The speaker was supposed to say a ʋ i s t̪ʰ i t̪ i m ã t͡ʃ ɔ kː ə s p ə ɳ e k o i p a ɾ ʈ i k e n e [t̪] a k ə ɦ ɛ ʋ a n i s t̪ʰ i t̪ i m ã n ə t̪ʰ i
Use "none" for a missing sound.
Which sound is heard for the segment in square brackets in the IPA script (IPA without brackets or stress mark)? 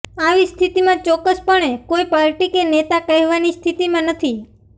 t̪